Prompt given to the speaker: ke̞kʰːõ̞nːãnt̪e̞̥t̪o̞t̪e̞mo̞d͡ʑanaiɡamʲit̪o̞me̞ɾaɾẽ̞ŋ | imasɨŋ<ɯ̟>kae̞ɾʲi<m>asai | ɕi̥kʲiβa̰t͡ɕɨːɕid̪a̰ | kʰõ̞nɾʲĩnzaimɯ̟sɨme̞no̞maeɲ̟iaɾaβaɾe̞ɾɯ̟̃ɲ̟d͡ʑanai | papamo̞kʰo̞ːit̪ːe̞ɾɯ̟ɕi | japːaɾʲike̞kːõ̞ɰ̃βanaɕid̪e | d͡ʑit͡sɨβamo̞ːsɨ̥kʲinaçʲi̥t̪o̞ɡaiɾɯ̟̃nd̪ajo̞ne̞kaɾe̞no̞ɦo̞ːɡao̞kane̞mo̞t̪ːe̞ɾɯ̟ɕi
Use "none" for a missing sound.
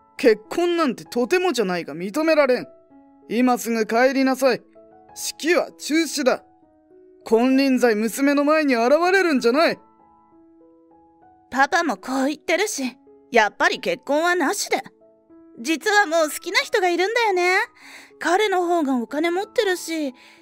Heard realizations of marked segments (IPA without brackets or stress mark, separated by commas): ɯ̟, n